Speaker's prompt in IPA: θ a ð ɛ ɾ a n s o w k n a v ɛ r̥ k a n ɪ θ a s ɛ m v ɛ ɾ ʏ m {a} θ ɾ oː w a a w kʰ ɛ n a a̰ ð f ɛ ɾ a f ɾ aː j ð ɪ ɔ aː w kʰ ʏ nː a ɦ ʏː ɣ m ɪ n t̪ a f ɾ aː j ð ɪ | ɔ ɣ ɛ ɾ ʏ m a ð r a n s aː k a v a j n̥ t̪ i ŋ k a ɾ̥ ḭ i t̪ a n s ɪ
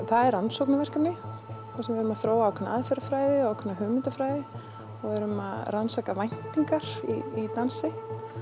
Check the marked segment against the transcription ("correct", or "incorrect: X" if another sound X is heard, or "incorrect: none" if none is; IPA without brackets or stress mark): correct